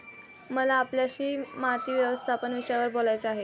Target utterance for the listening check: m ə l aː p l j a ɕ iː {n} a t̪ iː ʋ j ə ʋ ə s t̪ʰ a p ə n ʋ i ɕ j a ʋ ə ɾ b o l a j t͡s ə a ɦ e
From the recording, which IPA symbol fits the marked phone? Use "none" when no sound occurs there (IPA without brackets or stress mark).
m